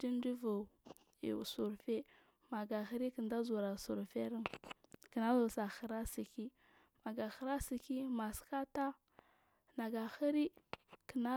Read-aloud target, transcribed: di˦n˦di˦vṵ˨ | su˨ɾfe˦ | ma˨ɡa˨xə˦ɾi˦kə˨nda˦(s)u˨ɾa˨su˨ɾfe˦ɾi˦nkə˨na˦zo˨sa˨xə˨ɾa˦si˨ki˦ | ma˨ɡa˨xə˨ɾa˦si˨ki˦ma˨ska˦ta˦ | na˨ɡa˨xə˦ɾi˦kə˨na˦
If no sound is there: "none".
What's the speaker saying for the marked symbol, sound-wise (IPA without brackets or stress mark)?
z